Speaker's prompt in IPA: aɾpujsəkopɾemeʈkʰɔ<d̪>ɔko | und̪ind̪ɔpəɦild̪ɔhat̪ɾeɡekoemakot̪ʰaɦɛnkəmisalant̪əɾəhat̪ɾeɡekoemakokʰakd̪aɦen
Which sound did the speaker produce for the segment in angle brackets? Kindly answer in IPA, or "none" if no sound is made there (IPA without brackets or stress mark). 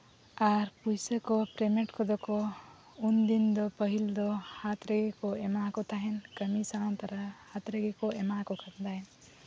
d̪